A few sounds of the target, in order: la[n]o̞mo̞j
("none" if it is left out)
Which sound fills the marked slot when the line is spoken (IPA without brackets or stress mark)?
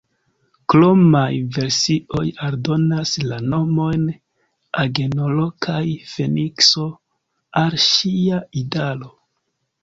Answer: n